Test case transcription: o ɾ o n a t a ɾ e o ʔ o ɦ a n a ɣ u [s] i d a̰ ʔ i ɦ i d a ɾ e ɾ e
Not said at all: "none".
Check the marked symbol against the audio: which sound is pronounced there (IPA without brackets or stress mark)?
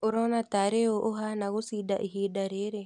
s